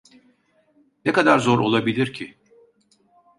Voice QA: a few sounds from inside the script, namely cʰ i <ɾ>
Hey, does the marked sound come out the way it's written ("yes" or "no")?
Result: no